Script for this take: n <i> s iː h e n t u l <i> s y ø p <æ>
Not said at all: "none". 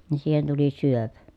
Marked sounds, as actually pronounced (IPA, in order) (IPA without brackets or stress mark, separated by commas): i, i, æ